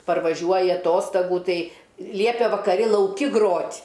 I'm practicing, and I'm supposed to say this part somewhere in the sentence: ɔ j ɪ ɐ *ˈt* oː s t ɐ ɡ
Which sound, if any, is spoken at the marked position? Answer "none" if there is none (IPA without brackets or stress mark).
t